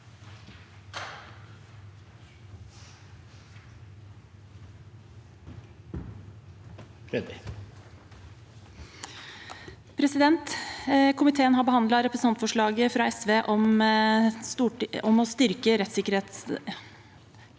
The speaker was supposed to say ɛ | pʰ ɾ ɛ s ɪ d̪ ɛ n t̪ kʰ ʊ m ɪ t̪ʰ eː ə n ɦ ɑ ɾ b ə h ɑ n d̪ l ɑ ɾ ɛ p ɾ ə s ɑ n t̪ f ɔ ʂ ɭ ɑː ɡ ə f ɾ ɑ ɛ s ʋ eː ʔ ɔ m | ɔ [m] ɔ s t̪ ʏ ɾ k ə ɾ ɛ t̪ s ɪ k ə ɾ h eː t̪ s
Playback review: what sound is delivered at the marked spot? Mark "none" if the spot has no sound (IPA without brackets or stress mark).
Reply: m